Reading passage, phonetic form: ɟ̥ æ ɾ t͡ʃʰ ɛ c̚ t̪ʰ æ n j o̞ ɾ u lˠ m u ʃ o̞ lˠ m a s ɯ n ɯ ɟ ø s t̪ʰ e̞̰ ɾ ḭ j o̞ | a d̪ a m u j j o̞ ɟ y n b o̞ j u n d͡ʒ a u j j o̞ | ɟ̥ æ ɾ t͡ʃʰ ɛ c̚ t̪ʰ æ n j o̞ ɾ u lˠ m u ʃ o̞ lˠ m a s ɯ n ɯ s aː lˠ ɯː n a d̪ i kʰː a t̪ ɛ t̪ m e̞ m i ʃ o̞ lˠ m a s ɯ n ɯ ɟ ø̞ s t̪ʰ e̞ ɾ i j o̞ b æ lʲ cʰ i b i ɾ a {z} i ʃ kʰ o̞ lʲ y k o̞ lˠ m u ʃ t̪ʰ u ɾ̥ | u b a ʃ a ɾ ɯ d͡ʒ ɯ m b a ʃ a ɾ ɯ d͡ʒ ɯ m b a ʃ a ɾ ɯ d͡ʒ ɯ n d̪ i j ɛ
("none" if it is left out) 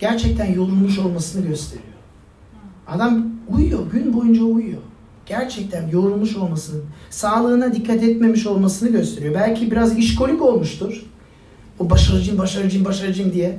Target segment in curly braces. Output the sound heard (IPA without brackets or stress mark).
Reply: z